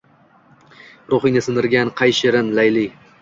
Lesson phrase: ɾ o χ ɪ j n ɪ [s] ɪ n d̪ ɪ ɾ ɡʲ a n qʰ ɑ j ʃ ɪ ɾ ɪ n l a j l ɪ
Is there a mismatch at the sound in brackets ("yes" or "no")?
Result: no